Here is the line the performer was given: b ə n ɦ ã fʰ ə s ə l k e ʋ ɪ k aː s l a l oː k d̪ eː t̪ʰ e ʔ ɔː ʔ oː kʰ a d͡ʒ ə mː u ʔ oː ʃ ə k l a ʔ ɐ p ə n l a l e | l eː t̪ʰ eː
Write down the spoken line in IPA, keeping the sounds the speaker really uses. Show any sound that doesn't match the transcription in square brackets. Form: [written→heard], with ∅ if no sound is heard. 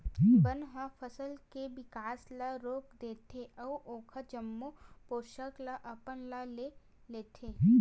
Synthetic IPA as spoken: b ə n ɦ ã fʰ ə s ə l k e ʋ ɪ k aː s l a [l→ɾ] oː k d̪ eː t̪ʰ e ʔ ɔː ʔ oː kʰ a d͡ʒ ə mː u [ʔ→p] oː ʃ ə k l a ʔ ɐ p ə n l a l e | l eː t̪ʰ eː